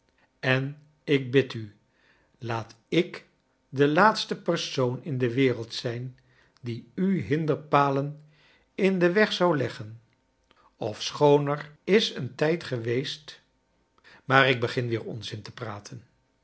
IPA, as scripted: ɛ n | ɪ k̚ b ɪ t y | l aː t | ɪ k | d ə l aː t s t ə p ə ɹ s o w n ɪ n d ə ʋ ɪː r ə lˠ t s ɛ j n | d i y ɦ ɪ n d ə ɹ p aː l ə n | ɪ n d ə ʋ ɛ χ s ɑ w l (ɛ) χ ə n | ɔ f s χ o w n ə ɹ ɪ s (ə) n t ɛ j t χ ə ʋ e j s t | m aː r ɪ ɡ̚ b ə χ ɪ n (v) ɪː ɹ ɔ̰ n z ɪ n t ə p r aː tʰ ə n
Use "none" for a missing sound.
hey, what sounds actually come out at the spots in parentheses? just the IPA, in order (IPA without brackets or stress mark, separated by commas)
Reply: ɛ, ə, ʋ